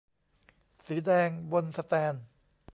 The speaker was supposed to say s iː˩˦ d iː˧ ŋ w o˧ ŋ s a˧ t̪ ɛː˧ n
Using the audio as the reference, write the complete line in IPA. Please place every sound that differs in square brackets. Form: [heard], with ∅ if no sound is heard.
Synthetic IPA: s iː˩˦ d [ɛː˧] ŋ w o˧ [n] s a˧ t̪ ɛː˧ n